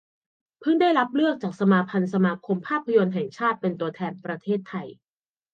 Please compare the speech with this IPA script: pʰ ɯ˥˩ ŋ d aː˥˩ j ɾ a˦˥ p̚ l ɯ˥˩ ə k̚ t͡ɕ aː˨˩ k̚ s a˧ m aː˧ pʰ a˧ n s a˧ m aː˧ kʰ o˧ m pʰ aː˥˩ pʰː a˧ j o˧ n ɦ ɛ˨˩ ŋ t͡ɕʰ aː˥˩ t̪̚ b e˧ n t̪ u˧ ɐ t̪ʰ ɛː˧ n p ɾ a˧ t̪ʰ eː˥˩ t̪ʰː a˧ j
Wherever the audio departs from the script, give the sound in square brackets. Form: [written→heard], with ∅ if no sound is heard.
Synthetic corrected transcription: pʰ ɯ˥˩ ŋ d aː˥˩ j ɾ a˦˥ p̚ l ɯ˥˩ ə k̚ t͡ɕ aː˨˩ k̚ s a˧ m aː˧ pʰ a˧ n s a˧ m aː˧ kʰ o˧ m pʰ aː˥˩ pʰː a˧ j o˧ n ɦ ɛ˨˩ ŋ t͡ɕʰ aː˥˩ t̪̚ [b→p] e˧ n t̪ u˧ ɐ t̪ʰ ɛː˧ n p ɾ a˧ t̪ʰ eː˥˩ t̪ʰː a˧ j